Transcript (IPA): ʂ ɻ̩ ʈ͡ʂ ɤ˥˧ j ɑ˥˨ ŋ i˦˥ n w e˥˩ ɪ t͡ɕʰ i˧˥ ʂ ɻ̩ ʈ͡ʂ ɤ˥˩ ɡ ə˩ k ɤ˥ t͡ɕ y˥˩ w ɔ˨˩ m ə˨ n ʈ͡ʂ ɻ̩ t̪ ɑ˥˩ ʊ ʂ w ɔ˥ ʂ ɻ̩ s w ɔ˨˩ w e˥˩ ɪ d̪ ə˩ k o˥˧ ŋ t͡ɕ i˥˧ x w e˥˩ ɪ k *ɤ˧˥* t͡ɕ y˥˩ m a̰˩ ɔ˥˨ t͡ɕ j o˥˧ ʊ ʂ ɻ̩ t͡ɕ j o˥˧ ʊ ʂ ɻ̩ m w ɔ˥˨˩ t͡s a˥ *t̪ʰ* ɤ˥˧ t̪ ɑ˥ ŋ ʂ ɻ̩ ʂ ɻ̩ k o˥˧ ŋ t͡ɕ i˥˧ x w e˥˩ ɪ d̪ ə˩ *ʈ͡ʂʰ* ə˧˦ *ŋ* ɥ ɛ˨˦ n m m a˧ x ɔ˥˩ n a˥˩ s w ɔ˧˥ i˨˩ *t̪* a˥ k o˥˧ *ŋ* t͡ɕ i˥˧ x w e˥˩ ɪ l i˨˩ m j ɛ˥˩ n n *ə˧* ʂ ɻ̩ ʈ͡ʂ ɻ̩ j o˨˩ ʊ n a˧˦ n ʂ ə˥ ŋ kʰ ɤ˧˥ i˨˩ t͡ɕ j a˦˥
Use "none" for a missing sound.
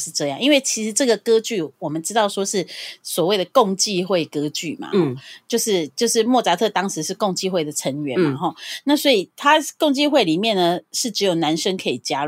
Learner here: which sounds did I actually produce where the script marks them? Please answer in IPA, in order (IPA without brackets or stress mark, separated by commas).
ɤ˥, t̪ʰ, ʈ͡ʂʰ, ŋ, t̪ʰ, ŋ, ə˩